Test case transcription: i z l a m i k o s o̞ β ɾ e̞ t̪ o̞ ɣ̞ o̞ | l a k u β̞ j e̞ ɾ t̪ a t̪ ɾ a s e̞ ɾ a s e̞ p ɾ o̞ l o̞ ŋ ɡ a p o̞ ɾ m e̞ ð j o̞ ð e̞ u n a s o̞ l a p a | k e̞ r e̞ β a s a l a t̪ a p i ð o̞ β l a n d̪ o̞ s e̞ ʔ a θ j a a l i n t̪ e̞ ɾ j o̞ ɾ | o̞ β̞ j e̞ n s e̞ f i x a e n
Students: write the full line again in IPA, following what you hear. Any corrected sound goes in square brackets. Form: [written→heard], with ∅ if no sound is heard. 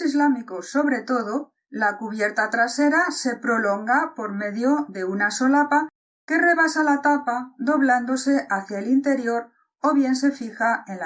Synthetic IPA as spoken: i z l a m i k o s o̞ β ɾ e̞ t̪ o̞ [ɣ̞→ð̞] o̞ | l a k u β̞ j e̞ ɾ t̪ a t̪ ɾ a s e̞ ɾ a s e̞ p ɾ o̞ l o̞ ŋ ɡ a p o̞ ɾ m e̞ ð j o̞ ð e̞ u n a s o̞ l a p a | k e̞ r e̞ β a s a l a t̪ a p [i→a] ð o̞ β l a n d̪ o̞ s e̞ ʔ a θ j a [a→e] l i n t̪ e̞ ɾ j o̞ ɾ | o̞ β̞ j e̞ n s e̞ f i x a e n